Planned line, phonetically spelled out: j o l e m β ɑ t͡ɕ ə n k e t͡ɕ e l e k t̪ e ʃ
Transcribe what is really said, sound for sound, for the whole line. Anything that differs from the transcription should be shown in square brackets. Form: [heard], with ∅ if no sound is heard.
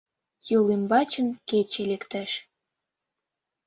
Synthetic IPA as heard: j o l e m [b] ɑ t͡ɕ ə n k e t͡ɕ e l e k t̪ [æ] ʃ

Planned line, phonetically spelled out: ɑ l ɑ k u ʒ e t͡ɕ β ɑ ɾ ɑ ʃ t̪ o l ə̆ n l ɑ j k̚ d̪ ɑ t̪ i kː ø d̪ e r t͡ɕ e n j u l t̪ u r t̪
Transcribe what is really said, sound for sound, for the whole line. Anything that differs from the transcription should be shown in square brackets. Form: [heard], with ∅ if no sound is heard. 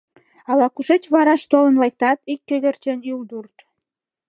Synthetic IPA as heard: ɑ l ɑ k u [ʃ] e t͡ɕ β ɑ ɾ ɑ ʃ t̪ o l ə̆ n l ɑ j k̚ [t̪] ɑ t̪ i kː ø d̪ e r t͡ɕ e n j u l [d̪] u r t̪

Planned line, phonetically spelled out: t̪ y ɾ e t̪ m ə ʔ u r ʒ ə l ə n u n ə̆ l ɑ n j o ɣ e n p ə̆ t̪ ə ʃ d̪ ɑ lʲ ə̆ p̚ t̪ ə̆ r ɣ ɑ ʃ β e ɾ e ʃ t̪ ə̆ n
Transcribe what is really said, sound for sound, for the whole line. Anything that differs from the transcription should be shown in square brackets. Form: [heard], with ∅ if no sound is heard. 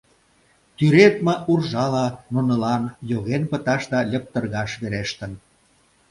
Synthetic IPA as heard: t̪ y ɾ e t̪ m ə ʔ u r ʒ [ɑ] l [ɑ] n u n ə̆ l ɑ n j o ɣ e n p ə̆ t̪ [ɑ] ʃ d̪ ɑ lʲ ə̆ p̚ t̪ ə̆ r ɣ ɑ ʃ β e ɾ e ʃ t̪ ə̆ n

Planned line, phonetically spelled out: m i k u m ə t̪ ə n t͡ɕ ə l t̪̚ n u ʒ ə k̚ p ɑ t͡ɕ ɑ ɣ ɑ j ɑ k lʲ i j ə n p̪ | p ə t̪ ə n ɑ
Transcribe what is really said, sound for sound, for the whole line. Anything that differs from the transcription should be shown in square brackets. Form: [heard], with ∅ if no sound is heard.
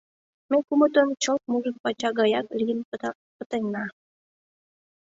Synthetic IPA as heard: m [e] k u m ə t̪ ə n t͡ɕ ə l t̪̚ [m] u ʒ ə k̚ p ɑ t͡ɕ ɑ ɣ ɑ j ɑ k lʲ i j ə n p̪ | p ə t̪ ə n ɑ

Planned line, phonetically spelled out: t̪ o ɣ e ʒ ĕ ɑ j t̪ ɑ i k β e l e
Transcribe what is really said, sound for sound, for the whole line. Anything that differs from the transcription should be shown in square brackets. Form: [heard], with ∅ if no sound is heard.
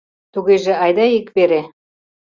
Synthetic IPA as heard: t̪ [u] ɣ e ʒ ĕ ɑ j [d̪] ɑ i k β e [ɾ] e

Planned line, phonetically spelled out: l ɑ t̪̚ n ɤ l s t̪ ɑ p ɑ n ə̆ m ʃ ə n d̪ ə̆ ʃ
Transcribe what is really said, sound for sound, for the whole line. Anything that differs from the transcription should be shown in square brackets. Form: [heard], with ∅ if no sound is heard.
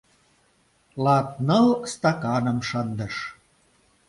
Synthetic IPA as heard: l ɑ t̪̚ n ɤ l s t̪ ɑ [k] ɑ n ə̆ m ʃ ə n d̪ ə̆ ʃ

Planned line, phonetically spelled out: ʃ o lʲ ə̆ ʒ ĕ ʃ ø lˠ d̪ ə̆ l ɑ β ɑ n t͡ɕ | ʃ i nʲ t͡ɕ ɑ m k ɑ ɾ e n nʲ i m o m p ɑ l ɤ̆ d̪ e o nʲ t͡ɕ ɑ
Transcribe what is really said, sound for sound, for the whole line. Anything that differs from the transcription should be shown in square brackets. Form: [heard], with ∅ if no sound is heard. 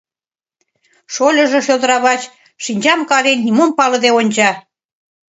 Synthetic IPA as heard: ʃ o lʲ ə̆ ʒ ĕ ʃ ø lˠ d̪ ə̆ [ɾ] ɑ β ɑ [∅] t͡ɕ | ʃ i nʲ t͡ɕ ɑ m k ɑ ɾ e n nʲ i m o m p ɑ l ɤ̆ d̪ e o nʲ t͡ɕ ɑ

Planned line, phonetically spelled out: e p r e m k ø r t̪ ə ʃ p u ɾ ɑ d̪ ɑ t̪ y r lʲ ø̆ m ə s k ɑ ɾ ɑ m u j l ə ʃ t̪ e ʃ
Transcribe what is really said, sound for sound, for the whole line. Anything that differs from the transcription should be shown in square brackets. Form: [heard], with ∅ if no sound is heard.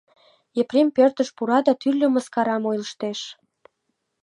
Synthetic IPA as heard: e p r e m [p] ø r t̪ ə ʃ p u ɾ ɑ d̪ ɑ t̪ y r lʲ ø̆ m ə s k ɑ ɾ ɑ m [o] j l ə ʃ t̪ e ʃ

